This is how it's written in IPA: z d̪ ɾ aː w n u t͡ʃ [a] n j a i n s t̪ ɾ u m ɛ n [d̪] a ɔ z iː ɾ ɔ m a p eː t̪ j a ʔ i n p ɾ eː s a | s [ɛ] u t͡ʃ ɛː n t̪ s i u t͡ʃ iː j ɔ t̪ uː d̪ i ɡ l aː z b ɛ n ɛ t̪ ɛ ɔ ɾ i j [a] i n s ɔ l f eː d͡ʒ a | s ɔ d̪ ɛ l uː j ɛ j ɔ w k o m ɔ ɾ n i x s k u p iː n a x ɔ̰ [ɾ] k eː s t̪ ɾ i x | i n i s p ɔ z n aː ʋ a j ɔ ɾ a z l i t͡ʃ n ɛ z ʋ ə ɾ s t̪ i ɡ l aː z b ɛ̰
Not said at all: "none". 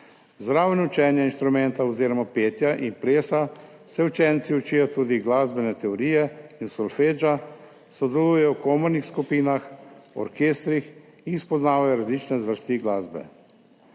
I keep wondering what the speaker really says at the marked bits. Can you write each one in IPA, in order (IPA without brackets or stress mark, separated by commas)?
ɛ, t̪, ɛ, ɛ, ɾ